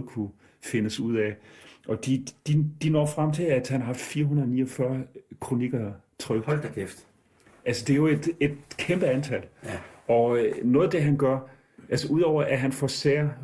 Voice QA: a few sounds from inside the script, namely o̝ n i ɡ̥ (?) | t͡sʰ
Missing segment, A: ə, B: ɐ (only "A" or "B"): B